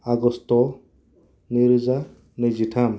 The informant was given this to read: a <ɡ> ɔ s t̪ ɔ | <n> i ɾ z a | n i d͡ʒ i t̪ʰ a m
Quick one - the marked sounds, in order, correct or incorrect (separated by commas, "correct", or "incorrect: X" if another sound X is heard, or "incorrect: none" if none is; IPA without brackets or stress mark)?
correct, correct